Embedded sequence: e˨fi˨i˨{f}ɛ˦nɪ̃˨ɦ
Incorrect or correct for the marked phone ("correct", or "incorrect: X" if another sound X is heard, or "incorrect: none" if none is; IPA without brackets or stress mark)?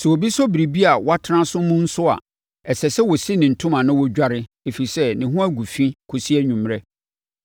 incorrect: s